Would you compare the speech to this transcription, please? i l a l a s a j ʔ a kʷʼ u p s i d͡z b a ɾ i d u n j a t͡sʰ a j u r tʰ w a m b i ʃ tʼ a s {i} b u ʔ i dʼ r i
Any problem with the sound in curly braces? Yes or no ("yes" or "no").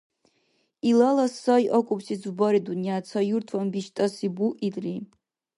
no